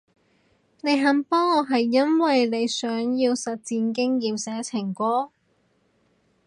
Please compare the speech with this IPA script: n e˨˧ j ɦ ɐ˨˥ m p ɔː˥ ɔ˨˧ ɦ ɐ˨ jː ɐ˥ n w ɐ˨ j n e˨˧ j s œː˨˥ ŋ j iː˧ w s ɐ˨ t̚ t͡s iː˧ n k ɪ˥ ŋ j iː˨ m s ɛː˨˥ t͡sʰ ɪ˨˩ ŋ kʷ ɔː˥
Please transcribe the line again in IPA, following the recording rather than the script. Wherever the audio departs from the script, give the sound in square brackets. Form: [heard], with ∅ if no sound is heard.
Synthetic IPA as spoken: n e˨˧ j ɦ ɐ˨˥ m p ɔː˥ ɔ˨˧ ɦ ɐ˨ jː ɐ˥ n w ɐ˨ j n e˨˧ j s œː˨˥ ŋ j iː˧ w s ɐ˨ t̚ t͡s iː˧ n k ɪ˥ ŋ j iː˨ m s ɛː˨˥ t͡sʰ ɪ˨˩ ŋ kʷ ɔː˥